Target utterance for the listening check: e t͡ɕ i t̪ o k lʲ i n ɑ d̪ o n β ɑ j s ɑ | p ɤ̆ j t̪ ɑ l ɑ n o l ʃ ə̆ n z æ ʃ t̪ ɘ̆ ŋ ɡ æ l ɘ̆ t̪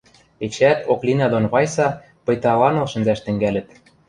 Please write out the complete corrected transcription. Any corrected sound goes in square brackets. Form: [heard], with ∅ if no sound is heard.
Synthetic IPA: e t͡ɕ [æ] t̪ o k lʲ i n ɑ d̪ o n β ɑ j s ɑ | p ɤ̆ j t̪ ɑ l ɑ n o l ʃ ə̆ n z æ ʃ t̪ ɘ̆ ŋ ɡ æ l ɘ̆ t̪